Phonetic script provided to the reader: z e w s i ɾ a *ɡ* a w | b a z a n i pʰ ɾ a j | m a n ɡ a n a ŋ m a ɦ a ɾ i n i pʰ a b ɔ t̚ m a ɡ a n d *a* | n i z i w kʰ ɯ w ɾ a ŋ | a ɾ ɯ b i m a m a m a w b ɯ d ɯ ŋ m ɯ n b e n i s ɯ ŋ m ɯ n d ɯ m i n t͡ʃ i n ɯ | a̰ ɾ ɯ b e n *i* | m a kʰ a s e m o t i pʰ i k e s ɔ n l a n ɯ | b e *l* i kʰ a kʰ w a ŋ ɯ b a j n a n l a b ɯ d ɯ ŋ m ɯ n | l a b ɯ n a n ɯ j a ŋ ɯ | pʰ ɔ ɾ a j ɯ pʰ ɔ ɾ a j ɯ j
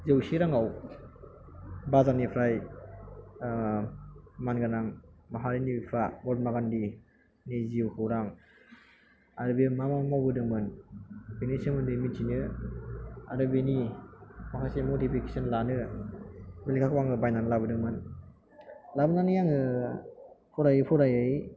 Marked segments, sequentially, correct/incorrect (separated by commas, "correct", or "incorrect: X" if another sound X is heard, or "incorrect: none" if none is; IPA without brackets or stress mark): incorrect: ŋ, incorrect: i, correct, correct